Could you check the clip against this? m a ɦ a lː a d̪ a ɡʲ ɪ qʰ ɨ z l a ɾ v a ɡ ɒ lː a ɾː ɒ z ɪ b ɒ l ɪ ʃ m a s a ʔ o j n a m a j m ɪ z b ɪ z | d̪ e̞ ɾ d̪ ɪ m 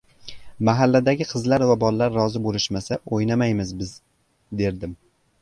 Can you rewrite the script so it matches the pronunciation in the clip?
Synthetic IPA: m a ɦ a lː a d̪ a ɡʲ ɪ qʰ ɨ z l a ɾ v a b ɒ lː a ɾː ɒ z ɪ b o l ɪ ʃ m a s a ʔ o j n a m a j m ɪ z b ɪ z | d̪ e̞ ɾ d̪ ɪ m

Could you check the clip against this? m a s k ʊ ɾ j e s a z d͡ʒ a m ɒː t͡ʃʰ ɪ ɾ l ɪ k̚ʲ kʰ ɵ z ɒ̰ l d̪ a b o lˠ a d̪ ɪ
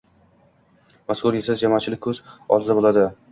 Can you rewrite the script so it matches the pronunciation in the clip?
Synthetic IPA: m a s k ʊ ɾ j e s a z d͡ʒ a m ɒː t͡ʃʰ ɪ l ɪ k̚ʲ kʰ ɵ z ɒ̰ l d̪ a b o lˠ a d̪ ɪ

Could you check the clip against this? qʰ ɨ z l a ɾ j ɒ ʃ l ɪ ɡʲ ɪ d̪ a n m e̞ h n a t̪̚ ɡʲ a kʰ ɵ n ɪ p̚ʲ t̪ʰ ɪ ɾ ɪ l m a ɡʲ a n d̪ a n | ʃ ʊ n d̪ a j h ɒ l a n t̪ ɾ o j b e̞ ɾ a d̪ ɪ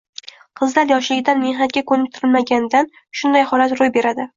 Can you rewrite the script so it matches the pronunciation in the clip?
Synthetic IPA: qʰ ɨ z l a ɾ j ɒ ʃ l ɪ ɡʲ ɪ d̪ a n m e̞ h n a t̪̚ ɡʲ a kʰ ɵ n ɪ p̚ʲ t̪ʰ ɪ ɾ ɪ l m a ɡʲ a n d̪ a n | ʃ ʊ n d̪ a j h ɒ l a t̪ ɾ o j b e̞ ɾ a d̪ ɪ

